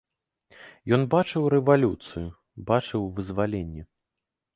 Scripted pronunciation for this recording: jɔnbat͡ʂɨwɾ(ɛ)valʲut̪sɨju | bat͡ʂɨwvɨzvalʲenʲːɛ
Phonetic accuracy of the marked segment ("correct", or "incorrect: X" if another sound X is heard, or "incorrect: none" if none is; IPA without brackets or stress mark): correct